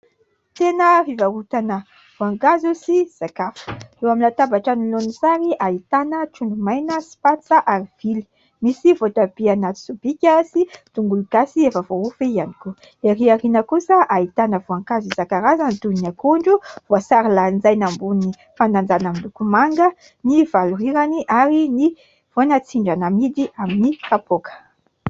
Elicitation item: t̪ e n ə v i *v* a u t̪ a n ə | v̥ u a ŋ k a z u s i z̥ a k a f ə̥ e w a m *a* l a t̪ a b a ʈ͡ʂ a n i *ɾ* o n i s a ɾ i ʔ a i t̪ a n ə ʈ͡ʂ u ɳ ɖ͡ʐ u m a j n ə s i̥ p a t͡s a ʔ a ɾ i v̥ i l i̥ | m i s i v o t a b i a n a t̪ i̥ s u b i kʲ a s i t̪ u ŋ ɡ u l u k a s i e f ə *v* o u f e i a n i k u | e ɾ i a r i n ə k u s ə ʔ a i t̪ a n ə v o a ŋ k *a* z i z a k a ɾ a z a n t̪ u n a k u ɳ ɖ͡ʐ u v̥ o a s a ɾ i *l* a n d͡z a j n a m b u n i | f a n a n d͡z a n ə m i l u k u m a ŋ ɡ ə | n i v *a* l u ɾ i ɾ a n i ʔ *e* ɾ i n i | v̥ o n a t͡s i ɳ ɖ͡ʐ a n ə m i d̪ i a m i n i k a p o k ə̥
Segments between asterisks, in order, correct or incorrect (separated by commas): correct, incorrect, incorrect, correct, correct, correct, correct, incorrect